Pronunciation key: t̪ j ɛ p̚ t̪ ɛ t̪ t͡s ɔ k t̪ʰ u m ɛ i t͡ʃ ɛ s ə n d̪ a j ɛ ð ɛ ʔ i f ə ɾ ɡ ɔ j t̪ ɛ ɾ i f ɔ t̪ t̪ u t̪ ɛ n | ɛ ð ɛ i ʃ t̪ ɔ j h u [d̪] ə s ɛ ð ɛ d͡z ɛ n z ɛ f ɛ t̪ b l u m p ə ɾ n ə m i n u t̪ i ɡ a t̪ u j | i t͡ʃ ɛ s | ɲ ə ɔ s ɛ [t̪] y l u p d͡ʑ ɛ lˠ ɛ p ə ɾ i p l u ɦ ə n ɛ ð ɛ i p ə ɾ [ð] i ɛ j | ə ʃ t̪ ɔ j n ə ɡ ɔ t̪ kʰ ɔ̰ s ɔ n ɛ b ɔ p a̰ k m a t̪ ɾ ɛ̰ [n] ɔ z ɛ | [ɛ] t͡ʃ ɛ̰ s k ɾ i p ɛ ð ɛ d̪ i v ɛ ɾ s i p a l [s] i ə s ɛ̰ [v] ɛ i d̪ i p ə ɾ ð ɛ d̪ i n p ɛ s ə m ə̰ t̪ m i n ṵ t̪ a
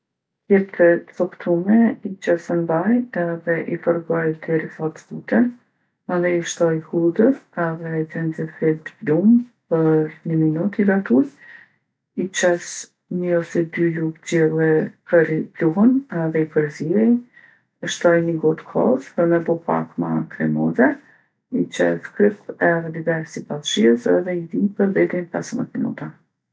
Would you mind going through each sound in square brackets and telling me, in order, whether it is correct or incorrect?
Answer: correct, incorrect, incorrect, incorrect, incorrect, incorrect, incorrect

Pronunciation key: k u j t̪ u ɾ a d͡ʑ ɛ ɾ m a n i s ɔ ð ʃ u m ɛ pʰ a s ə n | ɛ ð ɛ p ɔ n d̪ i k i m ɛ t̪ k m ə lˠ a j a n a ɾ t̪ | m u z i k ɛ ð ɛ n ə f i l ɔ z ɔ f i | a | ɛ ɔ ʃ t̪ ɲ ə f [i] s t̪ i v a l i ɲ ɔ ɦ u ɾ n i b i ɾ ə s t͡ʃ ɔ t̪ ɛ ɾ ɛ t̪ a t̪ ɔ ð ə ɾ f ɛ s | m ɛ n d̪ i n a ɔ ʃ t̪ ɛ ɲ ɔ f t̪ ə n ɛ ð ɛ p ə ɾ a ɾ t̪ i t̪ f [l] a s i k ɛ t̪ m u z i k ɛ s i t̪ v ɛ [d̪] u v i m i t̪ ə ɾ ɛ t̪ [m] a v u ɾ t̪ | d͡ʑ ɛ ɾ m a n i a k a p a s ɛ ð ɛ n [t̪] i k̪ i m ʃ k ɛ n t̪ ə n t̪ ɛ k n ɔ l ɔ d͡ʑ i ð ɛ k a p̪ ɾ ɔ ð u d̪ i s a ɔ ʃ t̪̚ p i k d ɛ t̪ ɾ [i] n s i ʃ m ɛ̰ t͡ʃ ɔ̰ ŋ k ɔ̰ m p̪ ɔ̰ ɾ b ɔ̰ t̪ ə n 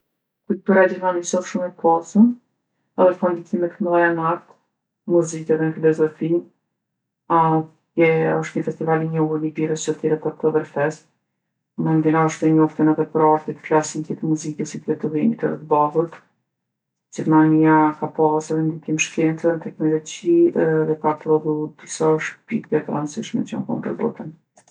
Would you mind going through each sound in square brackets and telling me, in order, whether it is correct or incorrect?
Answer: incorrect, correct, incorrect, incorrect, incorrect, incorrect

